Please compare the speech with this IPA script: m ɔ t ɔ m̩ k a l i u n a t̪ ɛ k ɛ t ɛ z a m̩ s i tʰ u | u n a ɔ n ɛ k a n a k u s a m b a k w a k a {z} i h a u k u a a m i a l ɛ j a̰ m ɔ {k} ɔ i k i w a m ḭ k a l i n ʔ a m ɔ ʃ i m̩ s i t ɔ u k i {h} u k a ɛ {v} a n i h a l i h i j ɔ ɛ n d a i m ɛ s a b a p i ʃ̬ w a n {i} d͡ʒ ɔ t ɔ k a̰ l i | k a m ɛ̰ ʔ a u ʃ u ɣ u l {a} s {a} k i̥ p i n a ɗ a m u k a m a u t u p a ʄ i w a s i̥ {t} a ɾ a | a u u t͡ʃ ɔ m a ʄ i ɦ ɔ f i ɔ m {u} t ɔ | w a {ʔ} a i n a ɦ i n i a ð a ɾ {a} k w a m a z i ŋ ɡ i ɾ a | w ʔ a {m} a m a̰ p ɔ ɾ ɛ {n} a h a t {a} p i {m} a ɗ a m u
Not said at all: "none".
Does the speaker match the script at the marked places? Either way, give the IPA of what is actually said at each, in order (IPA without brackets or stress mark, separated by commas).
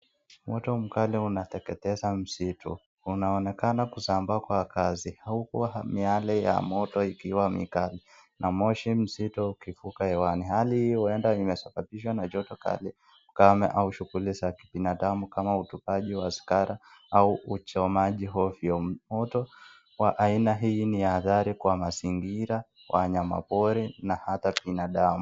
z, t, f, w, a, i, a, k, ɔ, ʔ, i, ɲ, n, a, n